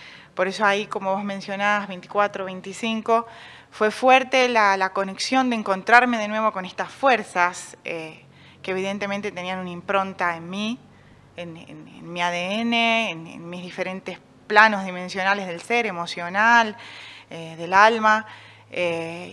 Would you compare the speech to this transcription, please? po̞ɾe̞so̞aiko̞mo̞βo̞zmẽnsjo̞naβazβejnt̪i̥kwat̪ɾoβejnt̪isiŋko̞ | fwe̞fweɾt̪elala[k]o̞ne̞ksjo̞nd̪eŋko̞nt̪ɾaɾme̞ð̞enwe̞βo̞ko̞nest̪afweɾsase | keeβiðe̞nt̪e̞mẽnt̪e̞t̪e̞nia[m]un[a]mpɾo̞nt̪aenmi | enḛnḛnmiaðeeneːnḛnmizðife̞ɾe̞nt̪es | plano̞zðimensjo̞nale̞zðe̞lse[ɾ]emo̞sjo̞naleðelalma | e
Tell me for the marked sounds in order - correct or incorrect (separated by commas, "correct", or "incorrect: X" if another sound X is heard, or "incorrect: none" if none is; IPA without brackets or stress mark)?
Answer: correct, incorrect: n, incorrect: i, correct